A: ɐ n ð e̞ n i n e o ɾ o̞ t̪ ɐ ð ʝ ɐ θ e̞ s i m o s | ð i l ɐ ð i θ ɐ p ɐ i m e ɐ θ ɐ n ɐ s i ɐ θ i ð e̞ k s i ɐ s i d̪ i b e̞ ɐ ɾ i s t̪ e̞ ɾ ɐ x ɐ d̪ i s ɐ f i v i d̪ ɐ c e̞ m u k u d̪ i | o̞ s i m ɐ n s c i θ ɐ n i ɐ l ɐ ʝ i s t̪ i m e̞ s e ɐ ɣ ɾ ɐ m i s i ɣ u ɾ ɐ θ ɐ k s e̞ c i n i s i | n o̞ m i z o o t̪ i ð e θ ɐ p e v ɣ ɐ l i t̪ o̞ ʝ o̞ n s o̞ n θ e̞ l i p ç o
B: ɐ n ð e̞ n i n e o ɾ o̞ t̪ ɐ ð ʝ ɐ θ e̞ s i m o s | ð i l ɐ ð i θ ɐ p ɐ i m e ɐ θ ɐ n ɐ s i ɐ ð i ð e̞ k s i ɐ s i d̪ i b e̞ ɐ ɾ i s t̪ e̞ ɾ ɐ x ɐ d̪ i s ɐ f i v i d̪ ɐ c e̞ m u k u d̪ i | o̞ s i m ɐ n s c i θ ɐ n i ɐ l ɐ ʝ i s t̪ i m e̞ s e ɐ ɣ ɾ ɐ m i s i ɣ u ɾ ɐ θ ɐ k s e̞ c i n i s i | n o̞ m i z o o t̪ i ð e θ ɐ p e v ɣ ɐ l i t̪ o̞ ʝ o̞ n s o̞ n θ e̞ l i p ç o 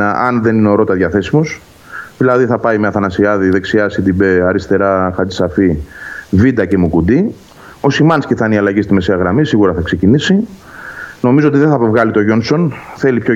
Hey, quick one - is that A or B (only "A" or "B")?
B